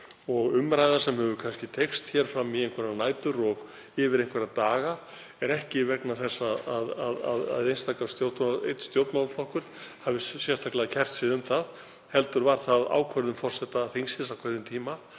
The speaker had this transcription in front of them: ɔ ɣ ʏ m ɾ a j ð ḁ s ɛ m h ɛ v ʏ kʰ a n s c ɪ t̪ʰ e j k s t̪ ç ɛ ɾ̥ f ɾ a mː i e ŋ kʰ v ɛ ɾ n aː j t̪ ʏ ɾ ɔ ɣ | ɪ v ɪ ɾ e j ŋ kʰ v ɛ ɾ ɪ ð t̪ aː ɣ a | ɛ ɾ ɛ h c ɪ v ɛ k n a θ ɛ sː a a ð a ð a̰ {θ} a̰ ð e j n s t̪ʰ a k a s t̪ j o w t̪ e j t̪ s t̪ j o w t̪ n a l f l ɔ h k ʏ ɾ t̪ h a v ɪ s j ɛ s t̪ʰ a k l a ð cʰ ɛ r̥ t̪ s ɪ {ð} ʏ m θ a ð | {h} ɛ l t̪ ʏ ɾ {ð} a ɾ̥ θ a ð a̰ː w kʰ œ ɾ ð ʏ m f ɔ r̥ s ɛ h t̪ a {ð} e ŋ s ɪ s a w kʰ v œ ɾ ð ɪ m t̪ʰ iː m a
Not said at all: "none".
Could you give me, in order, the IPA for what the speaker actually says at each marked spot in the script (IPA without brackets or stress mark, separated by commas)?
ð, ð, h, v, θ